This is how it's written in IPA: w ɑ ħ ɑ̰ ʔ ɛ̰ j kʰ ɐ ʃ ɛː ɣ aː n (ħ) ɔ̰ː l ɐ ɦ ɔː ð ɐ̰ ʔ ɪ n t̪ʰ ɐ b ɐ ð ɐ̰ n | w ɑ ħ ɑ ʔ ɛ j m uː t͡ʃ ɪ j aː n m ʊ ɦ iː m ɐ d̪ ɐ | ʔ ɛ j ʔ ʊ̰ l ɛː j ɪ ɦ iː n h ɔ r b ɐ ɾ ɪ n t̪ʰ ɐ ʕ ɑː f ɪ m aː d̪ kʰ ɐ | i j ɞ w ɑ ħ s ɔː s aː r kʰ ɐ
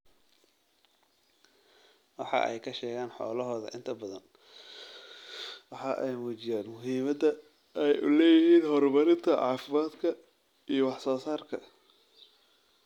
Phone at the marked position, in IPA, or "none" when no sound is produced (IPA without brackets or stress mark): ħ